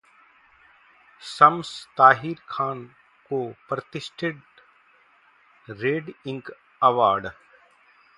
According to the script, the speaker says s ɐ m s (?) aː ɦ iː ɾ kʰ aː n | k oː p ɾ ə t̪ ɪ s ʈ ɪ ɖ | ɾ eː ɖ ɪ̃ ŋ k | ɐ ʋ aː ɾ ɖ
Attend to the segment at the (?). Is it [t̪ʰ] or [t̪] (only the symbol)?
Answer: t̪